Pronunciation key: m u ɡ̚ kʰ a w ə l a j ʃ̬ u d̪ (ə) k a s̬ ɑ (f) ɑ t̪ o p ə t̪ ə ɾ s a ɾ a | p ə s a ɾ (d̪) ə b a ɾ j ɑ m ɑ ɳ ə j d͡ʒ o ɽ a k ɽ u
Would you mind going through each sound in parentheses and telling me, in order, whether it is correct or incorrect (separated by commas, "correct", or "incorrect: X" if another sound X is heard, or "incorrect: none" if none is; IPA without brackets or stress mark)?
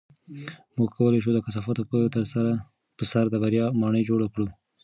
correct, correct, correct